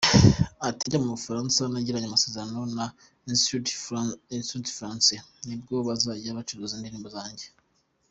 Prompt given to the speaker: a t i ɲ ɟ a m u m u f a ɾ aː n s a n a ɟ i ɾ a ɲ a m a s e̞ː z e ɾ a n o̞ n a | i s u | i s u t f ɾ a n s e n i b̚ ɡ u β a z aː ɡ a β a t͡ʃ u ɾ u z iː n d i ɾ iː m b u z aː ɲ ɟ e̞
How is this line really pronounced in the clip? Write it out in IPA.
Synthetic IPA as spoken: a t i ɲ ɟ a m u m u f a ɾ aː n s a n a ɟ i ɾ a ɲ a m a s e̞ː z e ɾ a n o̞ n a | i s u | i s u t f ɾ a n s e n i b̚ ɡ o β a z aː ɟ a β a t͡ʃ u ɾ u z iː n d i ɾ iː m b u z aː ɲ ɟ e̞